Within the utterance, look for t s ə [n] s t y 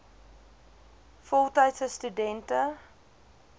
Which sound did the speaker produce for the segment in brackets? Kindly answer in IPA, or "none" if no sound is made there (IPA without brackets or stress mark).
none